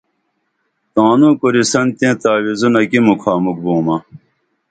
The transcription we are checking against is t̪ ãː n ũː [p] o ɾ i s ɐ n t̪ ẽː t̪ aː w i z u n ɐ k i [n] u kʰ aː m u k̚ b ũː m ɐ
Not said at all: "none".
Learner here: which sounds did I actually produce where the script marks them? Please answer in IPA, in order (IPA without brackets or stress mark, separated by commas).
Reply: k, m